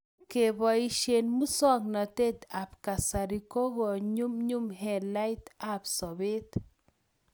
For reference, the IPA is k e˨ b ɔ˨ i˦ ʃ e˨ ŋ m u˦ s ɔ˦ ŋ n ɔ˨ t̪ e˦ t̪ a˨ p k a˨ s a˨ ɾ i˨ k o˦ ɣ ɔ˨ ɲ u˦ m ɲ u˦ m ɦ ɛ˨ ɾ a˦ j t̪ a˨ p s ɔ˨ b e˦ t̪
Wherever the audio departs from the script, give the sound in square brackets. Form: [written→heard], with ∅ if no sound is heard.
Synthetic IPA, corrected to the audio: k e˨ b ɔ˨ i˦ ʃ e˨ [ŋ→n] m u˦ s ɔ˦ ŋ n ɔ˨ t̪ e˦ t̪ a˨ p k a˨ s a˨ ɾ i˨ k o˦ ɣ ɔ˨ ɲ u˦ m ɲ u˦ m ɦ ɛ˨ [ɾ→l] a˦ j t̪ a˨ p s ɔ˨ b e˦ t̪